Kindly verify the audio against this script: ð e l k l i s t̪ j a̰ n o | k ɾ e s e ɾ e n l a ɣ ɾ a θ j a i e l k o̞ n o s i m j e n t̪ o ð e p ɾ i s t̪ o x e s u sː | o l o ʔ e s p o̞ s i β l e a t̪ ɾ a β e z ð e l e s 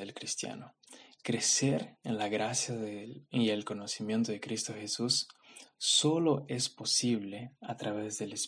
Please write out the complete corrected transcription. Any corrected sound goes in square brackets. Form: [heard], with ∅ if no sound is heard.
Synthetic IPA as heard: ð e l k [ɾ] i s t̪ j a̰ n o | k ɾ e s e ɾ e n l a ɣ ɾ a [s] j a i e l k o̞ n o s i m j e n t̪ o ð e [k] ɾ i s t̪ o x e s u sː | o l o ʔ e s p o̞ s i β l e a t̪ ɾ a β e z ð e l e s